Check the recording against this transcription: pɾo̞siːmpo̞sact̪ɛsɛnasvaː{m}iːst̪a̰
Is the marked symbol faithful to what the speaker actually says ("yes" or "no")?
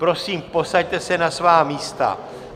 yes